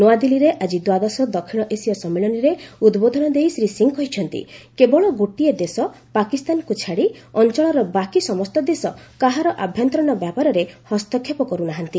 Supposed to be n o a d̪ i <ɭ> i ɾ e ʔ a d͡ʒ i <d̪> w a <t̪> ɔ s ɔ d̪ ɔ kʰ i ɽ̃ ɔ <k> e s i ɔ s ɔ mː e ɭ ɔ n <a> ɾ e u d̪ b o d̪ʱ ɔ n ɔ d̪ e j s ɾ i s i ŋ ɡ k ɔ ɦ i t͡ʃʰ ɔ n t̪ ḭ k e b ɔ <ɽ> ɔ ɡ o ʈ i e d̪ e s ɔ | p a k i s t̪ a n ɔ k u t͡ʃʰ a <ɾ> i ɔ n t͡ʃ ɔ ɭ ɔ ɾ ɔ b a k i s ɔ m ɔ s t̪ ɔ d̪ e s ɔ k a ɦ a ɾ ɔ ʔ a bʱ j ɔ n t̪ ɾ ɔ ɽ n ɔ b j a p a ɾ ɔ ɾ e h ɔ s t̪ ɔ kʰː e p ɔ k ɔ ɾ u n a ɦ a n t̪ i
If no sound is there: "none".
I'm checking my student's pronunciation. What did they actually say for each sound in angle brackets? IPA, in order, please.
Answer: l, d̪, d̪, ʔ, i, ɭ, ɽ

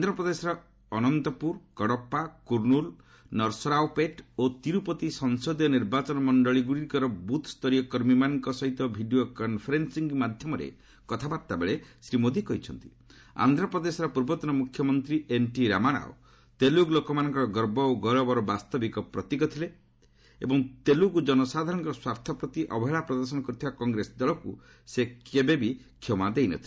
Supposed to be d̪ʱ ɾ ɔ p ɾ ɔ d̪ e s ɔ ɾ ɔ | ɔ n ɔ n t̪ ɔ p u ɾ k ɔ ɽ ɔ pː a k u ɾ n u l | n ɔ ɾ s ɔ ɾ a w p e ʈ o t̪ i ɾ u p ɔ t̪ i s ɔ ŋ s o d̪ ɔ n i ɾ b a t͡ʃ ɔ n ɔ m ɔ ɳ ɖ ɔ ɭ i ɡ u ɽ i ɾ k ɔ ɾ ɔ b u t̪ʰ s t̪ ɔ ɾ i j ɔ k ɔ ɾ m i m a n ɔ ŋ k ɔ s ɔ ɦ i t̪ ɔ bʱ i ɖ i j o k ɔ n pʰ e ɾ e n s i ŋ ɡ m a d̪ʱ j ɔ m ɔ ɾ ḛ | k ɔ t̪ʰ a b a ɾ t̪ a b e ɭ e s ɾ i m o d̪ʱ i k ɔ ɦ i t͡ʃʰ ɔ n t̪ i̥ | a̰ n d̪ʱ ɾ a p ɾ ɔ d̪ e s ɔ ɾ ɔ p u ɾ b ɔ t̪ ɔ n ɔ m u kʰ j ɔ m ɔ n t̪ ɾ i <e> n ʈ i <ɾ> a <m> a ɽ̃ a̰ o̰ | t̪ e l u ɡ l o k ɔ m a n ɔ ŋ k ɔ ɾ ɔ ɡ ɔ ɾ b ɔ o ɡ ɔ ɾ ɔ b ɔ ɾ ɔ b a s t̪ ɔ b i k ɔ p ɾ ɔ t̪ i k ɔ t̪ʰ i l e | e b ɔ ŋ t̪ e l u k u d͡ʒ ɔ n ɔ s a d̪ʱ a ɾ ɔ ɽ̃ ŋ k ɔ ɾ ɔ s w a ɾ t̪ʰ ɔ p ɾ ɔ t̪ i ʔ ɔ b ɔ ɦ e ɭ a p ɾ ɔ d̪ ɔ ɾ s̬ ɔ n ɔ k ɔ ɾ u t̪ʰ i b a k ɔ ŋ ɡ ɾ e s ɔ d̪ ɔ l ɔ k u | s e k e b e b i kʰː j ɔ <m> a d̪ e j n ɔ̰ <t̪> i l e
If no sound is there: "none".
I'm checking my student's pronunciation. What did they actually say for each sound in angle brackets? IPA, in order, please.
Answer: e, ɾ, m, m, t̪ʰ

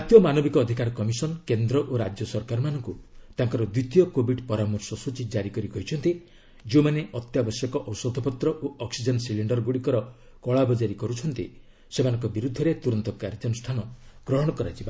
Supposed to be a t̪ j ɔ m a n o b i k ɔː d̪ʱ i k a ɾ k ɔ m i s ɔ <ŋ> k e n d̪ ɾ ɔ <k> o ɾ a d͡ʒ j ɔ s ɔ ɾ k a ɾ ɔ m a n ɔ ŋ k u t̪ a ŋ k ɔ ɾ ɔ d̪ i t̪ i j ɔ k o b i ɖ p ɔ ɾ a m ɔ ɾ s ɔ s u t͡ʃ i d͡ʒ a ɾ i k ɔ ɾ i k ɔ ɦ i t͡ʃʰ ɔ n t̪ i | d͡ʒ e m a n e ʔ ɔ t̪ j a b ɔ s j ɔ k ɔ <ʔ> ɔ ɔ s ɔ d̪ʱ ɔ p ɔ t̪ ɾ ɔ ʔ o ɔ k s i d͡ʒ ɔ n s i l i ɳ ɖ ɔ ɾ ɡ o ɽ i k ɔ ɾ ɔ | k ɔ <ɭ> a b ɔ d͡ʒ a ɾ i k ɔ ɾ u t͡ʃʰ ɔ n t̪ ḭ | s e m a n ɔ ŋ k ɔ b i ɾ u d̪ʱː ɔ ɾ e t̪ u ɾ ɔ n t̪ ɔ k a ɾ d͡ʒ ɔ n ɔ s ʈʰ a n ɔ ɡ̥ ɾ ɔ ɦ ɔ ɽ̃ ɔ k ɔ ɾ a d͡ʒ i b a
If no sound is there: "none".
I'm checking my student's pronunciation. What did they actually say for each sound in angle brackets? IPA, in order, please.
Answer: n, ʔ, ʔ, ɭ

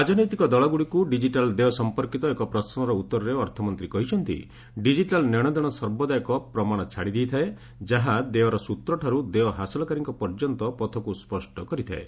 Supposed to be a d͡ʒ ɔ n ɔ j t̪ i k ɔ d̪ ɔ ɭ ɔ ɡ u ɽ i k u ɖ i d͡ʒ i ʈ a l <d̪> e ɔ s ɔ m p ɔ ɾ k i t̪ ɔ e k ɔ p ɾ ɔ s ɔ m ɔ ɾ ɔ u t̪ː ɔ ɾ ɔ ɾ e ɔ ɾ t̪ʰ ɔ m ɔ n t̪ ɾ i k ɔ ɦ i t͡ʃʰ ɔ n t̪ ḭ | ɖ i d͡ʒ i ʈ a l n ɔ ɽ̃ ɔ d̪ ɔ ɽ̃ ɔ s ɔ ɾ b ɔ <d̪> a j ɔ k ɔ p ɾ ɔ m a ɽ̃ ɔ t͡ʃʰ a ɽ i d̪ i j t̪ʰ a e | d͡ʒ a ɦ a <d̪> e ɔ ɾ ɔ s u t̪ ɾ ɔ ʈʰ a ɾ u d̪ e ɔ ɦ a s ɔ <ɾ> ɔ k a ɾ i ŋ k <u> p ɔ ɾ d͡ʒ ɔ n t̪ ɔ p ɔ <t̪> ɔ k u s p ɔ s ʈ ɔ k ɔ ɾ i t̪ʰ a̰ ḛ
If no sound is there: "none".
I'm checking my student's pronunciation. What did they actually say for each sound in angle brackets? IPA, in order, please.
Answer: d̪, d̪, d̪, l, ɔ, t̪ʰ

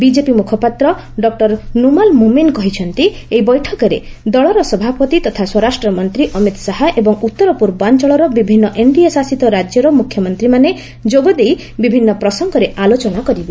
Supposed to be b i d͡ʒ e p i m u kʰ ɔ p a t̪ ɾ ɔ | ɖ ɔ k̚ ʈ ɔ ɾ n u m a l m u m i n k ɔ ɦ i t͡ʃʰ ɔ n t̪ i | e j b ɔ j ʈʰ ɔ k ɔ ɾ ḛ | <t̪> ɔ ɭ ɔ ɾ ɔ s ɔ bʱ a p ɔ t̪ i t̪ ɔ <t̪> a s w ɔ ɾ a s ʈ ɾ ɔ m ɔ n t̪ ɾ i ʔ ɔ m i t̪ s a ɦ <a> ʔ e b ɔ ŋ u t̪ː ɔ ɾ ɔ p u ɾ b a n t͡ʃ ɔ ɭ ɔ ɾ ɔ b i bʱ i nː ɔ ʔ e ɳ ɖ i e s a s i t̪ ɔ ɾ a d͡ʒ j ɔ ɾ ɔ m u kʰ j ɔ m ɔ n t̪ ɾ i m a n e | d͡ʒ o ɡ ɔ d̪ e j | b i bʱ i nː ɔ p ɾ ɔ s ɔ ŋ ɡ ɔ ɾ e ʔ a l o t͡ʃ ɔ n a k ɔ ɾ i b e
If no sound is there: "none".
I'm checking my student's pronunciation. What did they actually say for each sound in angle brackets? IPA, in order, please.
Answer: d̪, t̪ʰ, a

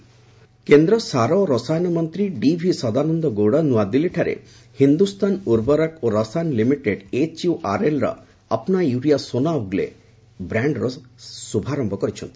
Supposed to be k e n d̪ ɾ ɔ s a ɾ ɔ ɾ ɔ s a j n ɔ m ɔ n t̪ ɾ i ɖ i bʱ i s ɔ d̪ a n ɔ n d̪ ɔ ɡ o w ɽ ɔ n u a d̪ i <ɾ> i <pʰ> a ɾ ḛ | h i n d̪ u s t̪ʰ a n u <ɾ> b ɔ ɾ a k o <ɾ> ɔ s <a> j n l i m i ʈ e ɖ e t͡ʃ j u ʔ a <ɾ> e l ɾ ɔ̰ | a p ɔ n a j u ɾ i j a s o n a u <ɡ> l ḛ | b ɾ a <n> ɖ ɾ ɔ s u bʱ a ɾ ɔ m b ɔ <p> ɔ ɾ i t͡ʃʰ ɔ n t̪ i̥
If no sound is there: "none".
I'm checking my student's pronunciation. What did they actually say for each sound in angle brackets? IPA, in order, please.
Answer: l, ʈʰ, ɾ, ɾ, a, ɾ, ɡ, ɳ, k

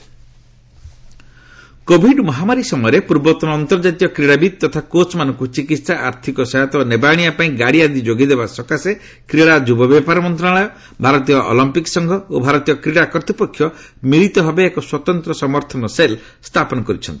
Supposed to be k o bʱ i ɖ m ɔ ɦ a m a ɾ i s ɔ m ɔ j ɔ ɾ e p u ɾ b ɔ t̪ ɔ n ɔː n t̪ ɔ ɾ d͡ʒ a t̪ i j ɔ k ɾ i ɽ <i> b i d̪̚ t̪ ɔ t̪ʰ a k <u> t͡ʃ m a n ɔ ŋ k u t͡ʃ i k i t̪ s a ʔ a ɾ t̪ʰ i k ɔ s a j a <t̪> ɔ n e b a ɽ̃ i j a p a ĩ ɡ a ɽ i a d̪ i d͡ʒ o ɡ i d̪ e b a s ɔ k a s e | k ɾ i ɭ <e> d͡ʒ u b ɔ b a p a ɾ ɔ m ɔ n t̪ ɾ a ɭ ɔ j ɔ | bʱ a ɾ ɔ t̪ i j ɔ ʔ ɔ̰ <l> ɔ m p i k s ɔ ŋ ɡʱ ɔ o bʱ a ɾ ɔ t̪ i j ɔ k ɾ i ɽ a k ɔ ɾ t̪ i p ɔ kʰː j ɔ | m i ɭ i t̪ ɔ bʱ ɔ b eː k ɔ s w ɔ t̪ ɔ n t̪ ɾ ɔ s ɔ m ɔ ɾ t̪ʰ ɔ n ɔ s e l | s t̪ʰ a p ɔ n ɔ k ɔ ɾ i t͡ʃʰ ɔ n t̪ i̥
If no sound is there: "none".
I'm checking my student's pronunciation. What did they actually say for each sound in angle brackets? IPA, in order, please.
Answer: a, o, t̪, a, l

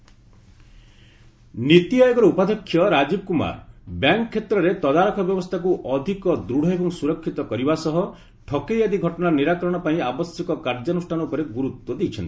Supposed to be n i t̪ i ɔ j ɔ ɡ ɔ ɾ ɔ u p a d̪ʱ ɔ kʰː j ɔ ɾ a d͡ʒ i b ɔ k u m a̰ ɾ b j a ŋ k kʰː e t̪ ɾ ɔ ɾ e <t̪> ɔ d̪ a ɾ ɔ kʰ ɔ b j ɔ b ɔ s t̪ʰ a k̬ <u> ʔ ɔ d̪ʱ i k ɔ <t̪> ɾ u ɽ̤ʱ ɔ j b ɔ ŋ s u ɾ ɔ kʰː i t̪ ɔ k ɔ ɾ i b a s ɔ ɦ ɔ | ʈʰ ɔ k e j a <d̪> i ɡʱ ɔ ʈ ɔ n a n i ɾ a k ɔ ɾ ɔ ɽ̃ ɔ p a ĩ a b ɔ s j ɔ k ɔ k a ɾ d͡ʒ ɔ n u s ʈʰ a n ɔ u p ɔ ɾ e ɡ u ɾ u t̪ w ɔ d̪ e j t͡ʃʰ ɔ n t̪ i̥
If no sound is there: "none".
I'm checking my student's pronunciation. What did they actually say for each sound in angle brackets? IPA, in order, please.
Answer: t̪, u, d̪, d̪

